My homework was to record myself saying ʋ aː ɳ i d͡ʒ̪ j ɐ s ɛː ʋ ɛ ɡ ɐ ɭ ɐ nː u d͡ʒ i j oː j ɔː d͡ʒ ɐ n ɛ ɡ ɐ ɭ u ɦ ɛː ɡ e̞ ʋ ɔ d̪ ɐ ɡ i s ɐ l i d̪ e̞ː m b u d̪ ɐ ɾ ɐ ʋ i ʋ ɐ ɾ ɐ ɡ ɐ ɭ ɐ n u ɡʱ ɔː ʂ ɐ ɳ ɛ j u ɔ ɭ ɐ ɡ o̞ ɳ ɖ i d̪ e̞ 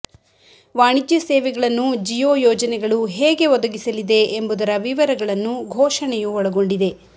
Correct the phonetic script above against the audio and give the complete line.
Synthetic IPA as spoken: ʋ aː ɳ i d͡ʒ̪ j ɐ s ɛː ʋ ɛ ɡ ɐ ɭ ɐ nː u d͡ʒ i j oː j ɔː d͡ʒ ɐ n ɛ ɡ ɐ ɭ u ɦ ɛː ɡ e̞ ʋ ɔ d̪ ɐ ɡ i s ɐ l i d̪ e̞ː m b u d̪ ɐ ɾ ɐ ʋ i ʋ ɐ ɾ ɐ ɡ ɐ ɭ ɐ nː u ɡʱ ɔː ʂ ɐ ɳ ɛ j u ɔ ɭ ɐ ɡ o̞ ɳ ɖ i d̪ e̞